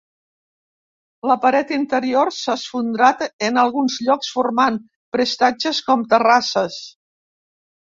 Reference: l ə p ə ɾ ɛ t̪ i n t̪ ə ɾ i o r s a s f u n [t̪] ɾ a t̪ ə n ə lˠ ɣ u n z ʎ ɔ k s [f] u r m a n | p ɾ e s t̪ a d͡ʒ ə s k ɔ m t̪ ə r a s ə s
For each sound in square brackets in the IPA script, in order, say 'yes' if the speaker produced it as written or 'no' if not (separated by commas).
no, yes